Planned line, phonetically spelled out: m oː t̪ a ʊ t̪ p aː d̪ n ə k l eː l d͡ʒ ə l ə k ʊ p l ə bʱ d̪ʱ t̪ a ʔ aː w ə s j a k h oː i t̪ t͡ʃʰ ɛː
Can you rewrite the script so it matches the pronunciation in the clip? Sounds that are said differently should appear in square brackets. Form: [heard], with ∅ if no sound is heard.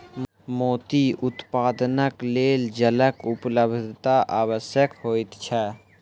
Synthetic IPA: m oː t̪ [i] ʊ t̪ p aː d̪ n ə k l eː l d͡ʒ ə l ə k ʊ p l ə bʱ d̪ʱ t̪ a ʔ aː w ə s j [ə] k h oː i t̪ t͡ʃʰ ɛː

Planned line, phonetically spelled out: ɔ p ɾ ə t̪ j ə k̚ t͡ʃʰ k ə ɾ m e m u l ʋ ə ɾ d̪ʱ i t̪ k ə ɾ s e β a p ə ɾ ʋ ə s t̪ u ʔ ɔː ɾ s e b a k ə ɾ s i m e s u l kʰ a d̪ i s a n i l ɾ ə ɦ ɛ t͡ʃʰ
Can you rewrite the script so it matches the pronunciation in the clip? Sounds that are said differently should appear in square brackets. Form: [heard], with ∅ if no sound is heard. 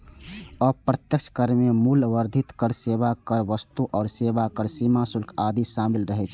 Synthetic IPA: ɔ p ɾ ə t̪ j ə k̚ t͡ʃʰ k ə ɾ m e m u l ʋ ə ɾ d̪ʱ i t̪ k ə ɾ s e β a [k] ə ɾ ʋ ə s t̪ u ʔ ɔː ɾ s e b a k ə ɾ s i m [a] s u l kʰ a d̪ i s a [m] i l ɾ ə ɦ ɛ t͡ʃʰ

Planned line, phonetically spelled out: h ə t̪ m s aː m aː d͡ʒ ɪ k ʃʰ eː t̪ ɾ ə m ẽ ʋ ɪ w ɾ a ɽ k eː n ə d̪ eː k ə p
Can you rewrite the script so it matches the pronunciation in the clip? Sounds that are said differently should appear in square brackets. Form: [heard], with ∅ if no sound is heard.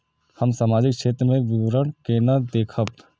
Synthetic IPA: h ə [∅] m s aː m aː d͡ʒ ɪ k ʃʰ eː t̪ ɾ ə m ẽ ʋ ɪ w ɾ [ə] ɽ k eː n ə d̪ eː [kʰ] ə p

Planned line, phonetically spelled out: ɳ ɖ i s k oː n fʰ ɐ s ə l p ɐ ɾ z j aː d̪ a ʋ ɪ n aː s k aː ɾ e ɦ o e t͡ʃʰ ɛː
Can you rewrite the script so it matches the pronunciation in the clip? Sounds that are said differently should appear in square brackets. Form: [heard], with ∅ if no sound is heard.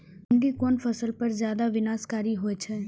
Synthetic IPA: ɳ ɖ i [∅] k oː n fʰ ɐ s ə l p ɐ ɾ z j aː d̪ a ʋ ɪ n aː s k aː ɾ [i] ɦ o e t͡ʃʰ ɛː

